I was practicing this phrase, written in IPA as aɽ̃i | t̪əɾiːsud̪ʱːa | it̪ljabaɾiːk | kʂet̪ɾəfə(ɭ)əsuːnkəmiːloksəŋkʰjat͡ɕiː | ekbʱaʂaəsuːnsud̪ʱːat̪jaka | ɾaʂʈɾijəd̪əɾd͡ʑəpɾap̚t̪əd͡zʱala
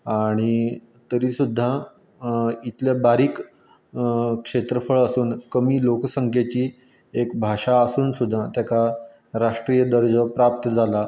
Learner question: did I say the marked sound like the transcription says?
yes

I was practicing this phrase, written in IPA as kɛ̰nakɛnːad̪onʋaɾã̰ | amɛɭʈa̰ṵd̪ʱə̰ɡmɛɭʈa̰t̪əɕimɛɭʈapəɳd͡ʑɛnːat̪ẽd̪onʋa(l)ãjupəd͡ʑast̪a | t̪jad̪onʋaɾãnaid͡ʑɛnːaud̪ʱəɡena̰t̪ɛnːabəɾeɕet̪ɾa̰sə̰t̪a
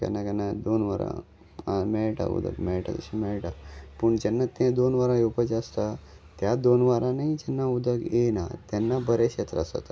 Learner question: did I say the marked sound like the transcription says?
no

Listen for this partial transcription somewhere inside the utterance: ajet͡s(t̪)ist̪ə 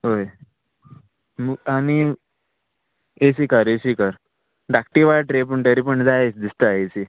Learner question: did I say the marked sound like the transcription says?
no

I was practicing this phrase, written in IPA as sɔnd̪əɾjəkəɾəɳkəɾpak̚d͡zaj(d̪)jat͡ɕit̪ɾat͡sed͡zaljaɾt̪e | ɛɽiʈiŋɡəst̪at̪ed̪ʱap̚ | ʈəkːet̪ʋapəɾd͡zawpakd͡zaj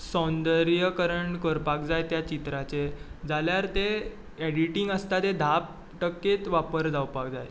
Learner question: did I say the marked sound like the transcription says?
no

